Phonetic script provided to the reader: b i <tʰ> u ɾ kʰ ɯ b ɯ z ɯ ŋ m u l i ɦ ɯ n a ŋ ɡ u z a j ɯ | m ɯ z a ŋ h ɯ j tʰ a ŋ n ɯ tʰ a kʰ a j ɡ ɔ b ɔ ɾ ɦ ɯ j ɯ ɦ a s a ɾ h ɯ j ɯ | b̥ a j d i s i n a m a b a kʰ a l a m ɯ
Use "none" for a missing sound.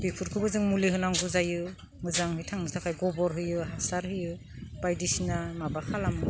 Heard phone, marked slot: pʰ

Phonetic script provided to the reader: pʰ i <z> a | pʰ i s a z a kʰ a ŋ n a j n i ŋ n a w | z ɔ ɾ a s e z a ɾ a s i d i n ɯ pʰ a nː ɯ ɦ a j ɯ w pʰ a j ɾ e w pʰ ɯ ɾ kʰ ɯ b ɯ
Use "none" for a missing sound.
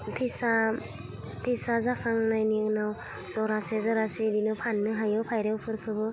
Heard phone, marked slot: s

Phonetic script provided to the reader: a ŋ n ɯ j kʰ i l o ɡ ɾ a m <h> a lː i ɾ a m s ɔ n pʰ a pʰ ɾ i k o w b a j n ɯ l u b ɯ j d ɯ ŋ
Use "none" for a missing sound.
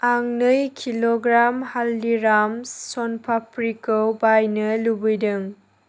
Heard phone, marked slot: h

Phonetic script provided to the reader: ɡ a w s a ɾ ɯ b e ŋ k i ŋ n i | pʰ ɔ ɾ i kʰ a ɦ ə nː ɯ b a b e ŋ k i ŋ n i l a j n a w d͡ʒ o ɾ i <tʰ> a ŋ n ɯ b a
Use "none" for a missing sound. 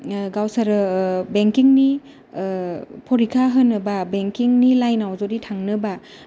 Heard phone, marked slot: tʰ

